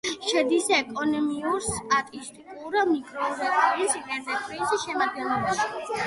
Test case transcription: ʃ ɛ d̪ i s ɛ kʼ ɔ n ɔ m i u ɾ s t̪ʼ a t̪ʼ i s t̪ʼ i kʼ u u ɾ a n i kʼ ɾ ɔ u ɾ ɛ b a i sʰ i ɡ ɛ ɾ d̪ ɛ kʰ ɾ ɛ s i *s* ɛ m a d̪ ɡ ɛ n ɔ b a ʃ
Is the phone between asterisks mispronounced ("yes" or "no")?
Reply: yes